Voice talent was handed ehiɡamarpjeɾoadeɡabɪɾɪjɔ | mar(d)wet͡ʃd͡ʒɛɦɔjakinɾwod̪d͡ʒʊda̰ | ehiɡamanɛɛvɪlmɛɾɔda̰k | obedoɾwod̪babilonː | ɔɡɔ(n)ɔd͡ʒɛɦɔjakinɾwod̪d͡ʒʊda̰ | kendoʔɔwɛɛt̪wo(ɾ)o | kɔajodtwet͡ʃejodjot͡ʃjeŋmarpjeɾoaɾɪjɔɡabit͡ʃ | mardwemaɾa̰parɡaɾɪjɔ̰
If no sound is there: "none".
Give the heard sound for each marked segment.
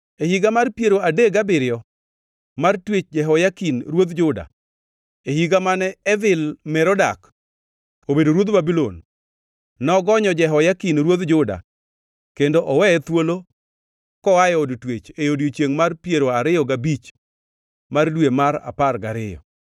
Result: t, ɲ, l

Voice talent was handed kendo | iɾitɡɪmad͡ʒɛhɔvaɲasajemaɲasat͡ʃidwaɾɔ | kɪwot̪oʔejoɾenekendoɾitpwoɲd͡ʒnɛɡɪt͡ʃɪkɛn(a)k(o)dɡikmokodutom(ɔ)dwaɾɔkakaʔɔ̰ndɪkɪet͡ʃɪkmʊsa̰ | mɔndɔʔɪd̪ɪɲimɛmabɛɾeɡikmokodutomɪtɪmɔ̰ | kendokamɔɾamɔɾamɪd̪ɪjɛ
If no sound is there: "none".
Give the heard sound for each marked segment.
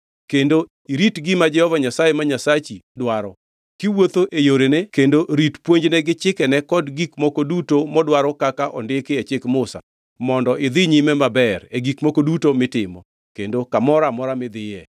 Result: ɛ, ɔ, ɔ

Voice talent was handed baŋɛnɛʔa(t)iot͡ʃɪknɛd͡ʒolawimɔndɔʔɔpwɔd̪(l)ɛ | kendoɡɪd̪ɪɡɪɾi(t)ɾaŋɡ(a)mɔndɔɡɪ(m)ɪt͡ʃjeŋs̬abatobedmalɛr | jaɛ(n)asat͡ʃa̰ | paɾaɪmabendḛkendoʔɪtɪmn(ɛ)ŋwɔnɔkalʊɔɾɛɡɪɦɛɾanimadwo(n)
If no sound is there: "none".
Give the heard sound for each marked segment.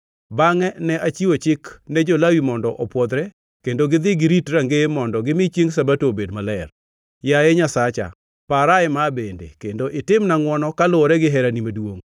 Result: t͡ʃ, ɾ, t, e, m, ɲ, a, ŋ

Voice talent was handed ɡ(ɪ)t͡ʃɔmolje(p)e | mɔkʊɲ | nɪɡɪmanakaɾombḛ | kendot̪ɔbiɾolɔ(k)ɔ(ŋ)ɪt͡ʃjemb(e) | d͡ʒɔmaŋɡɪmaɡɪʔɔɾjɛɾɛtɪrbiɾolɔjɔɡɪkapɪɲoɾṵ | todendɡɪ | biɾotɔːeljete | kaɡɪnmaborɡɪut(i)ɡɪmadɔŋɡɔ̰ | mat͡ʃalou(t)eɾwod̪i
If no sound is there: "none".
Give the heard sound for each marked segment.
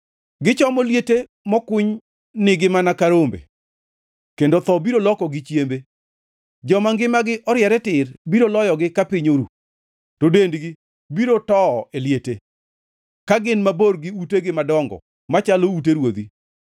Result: ɪ, t, k, ɡ, e, e, t

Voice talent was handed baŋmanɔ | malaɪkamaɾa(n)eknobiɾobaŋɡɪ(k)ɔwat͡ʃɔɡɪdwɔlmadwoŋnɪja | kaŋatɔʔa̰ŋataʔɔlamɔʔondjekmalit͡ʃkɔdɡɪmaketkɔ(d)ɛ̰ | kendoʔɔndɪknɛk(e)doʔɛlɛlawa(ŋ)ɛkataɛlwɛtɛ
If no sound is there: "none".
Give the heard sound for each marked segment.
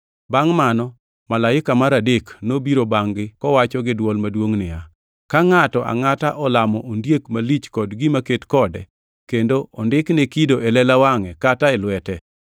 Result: d, k, d, i, ŋ

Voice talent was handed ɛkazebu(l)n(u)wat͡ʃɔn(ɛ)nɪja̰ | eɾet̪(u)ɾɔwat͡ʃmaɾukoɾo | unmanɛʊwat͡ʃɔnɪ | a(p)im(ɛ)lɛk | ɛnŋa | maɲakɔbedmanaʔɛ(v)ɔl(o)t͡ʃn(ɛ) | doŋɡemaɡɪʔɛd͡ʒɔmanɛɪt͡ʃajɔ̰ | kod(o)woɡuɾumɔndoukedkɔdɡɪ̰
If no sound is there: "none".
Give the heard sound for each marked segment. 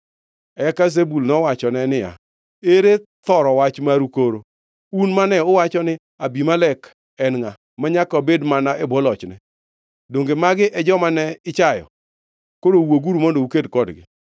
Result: l, ɔ, ɛ, ɔ, b, a, b, ɔ, ɛ, o

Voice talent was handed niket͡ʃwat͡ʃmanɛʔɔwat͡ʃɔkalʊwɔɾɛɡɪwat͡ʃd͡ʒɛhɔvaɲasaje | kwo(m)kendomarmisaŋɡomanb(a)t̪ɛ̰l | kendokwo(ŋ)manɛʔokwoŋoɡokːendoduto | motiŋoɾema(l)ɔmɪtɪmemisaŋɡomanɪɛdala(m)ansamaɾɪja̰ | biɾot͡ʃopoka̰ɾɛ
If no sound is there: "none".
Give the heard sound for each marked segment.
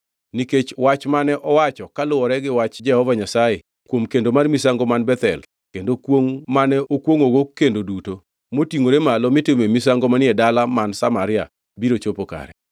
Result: m, ɛ, ŋ, l, m

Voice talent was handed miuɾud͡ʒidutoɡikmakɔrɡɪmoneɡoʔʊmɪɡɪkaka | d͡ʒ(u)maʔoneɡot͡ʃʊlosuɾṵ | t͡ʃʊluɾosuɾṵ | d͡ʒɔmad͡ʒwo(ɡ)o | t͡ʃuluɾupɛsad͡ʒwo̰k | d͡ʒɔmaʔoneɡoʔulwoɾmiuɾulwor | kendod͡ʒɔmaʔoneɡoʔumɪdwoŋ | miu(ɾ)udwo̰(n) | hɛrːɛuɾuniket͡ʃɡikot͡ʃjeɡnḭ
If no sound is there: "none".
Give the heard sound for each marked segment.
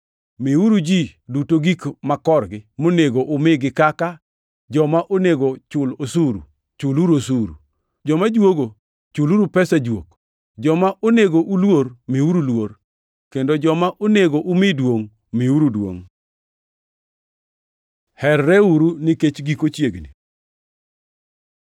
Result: ɔ, ɡ, ɾ, ŋ

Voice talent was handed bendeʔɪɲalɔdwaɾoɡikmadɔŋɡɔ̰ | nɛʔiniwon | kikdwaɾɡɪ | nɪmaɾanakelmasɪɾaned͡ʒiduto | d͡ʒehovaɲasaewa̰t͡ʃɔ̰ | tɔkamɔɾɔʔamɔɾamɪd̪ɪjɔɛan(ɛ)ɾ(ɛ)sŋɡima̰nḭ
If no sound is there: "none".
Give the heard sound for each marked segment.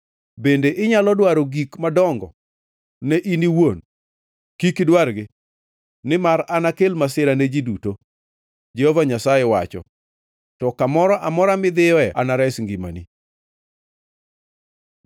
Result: a, ɛ

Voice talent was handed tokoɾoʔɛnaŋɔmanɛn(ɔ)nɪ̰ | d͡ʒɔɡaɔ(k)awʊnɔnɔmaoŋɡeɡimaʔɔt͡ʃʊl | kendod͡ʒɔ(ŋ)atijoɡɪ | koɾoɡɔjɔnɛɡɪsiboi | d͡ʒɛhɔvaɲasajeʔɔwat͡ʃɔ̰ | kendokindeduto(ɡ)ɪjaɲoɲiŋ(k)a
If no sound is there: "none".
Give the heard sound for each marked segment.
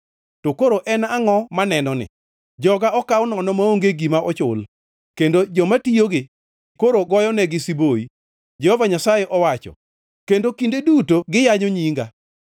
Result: ɔ, k, m, ɡ, ɡ

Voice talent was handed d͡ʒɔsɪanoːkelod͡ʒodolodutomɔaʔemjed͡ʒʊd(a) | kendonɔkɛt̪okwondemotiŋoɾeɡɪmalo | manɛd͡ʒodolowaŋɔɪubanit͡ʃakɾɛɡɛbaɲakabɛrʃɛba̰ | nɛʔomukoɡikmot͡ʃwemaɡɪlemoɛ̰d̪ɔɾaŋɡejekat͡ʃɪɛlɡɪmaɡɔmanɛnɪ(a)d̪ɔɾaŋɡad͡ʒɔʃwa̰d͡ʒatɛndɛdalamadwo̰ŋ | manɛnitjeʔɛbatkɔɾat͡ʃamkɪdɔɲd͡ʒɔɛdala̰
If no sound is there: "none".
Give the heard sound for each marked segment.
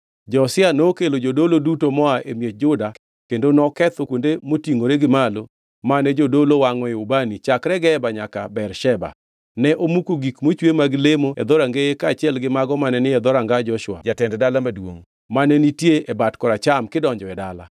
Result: a, ɛ

